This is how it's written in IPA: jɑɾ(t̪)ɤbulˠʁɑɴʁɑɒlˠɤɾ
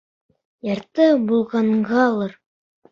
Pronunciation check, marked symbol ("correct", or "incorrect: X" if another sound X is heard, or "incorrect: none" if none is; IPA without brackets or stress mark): correct